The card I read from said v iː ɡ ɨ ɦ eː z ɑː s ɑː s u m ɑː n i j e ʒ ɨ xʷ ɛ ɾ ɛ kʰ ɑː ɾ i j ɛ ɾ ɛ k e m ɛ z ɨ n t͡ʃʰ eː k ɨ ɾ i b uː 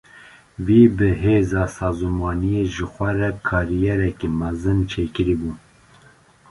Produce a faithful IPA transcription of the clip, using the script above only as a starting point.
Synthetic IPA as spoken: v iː b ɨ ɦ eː z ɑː s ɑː z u m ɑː n i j e ʒ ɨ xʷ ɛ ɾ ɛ kʰ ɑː ɾ i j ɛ ɾ ɛ k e m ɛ z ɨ n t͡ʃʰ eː k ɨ ɾ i b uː